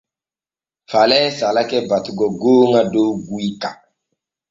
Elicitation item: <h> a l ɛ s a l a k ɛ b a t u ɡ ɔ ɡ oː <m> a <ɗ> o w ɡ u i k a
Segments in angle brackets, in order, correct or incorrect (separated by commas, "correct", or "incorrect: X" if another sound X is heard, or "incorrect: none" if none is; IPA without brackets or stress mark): incorrect: f, incorrect: ŋ, incorrect: d